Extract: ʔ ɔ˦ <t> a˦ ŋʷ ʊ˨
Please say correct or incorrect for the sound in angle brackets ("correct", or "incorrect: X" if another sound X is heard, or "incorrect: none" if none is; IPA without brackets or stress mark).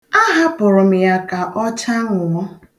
incorrect: t͡ʃ